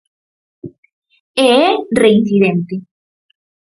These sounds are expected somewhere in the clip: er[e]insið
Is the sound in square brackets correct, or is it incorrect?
correct